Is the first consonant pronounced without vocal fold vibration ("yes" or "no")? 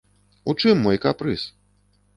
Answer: yes